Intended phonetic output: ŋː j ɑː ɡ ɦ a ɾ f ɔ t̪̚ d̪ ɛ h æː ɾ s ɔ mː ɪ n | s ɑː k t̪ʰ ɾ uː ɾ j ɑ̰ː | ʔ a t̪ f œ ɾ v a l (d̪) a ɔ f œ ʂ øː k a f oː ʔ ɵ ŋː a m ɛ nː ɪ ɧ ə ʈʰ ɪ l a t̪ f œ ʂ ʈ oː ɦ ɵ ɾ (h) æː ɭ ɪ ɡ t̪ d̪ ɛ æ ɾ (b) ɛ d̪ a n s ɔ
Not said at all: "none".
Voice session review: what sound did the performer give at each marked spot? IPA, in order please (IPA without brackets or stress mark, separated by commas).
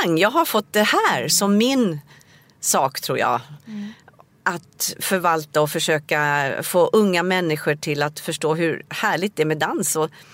t̪, h, m